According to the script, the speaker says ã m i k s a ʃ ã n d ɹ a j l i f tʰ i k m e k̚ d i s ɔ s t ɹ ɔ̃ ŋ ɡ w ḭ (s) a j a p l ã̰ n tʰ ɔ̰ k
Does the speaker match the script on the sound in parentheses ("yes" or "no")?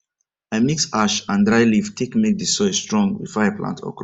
no